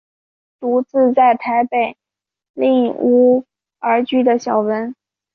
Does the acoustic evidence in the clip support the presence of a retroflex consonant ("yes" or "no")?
no